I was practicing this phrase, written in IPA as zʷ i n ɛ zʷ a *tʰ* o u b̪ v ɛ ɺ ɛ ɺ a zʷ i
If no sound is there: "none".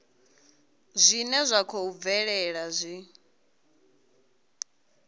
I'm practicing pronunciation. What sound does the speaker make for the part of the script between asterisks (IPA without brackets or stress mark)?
kʰ